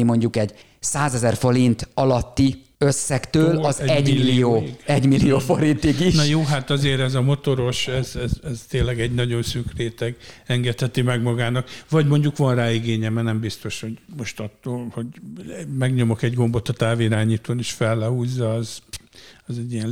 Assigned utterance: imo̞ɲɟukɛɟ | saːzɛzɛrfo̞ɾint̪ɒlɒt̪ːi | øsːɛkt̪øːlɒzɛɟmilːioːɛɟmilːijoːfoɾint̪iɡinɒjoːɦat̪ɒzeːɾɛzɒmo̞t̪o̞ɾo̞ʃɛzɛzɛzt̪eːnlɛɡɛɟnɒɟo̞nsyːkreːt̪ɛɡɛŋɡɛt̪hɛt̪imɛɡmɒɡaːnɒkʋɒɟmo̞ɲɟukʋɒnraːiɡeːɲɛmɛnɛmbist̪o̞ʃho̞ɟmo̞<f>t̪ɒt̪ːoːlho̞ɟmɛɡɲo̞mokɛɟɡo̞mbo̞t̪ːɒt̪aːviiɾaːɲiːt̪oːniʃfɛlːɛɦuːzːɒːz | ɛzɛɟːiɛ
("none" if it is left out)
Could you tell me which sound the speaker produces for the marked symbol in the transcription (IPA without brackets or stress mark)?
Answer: ʃ